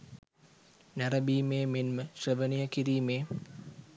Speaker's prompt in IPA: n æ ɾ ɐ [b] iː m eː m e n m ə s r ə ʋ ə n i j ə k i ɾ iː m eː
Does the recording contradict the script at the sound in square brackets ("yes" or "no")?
no